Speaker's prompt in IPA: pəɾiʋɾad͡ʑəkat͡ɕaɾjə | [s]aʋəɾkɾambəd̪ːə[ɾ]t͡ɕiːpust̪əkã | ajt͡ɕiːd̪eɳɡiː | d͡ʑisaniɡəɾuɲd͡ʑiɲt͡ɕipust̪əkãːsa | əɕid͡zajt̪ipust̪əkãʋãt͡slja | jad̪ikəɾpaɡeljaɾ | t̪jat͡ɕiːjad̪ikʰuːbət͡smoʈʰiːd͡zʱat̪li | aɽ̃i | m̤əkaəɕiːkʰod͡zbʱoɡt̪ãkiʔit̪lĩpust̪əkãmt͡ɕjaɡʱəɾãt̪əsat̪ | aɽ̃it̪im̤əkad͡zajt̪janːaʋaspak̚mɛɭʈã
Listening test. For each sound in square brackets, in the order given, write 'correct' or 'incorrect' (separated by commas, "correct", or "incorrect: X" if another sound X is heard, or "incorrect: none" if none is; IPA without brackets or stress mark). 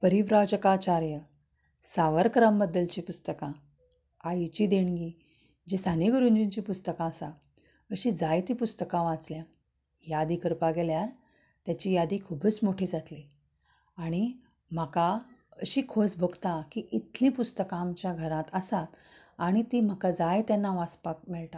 correct, incorrect: l